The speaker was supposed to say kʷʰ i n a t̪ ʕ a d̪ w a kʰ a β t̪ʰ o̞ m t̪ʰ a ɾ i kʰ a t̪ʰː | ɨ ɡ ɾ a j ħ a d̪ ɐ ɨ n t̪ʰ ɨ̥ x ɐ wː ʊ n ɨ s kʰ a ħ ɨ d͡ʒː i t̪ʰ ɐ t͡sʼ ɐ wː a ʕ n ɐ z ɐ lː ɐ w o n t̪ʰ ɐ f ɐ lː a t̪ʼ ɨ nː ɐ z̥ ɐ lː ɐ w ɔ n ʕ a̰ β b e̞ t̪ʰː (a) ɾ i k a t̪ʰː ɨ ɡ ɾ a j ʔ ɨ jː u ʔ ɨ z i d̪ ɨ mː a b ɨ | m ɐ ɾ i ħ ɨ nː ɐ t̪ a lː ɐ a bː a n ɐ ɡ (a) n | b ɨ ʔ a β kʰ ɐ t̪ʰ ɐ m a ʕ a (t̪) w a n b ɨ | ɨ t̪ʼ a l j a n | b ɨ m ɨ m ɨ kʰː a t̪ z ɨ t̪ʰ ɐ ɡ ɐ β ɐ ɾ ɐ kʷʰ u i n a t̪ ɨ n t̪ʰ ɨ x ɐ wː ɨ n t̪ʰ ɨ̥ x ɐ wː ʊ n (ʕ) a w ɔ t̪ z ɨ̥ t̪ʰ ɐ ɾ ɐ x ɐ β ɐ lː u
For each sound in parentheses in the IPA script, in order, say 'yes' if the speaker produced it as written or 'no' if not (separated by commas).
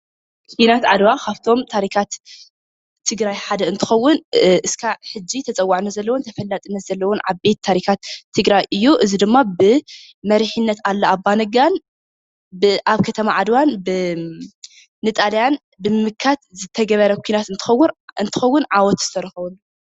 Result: yes, yes, no, yes